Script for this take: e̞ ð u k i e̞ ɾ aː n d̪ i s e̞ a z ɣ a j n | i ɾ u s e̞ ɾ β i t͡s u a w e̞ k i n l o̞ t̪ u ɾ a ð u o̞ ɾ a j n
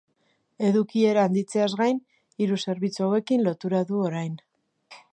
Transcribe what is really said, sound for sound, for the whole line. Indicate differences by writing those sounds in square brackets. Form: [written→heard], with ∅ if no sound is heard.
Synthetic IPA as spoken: e̞ ð u k i e̞ ɾ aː n d̪ i [s→t͡s] e̞ a z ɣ a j n | i ɾ u s e̞ ɾ β i t͡s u a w e̞ k i n l o̞ t̪ u ɾ a ð u o̞ ɾ a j n